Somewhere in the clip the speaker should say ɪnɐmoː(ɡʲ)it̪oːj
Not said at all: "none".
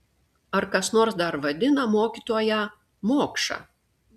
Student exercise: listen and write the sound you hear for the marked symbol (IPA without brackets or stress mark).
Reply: kʲ